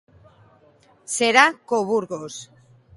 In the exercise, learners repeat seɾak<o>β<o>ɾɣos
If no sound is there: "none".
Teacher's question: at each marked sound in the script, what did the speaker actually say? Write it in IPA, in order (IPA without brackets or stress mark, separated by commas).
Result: o, u